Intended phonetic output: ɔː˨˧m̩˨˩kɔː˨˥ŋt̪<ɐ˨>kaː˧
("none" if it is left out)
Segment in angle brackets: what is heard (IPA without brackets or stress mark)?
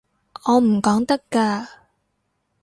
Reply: ɐ˥